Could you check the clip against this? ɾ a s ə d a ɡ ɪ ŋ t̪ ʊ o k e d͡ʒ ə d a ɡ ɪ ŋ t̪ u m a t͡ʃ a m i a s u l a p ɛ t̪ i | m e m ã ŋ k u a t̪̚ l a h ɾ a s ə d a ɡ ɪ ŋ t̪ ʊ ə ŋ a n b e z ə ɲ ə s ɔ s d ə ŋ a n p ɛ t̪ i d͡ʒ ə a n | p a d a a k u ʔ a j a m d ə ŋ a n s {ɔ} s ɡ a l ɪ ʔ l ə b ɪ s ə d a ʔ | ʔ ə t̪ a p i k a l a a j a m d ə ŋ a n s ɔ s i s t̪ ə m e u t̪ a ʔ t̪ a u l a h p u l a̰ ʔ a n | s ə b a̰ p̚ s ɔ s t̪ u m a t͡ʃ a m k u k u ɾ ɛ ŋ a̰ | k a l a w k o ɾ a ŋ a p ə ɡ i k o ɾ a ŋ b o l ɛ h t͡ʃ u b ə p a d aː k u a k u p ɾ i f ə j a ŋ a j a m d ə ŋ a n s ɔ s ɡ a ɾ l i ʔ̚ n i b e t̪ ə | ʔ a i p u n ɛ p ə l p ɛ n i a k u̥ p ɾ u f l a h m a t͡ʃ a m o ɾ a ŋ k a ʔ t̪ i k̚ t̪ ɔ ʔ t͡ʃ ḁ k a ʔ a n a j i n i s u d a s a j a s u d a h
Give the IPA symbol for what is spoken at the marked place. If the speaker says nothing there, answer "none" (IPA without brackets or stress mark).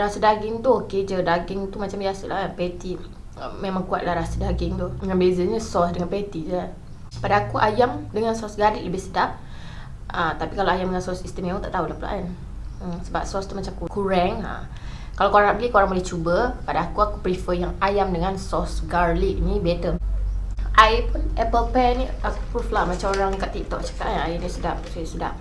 ɔ